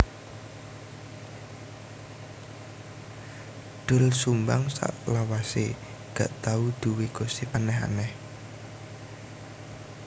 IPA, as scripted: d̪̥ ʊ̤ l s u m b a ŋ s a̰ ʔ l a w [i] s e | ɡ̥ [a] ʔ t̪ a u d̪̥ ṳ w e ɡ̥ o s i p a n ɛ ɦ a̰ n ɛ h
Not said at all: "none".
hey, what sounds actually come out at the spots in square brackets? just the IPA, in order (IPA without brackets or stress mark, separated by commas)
a, a